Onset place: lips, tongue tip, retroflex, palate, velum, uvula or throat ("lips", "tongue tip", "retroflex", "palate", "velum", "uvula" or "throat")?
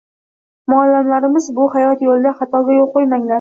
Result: lips